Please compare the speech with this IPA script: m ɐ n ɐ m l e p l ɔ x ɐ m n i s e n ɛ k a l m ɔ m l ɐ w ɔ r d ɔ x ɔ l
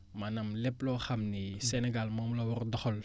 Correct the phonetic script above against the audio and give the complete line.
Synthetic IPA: m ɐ n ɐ m l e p l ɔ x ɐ m n i s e n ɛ ɡ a l m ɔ m l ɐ w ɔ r d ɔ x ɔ l